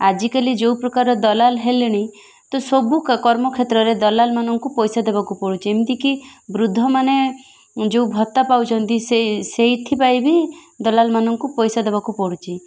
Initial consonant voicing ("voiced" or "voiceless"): voiced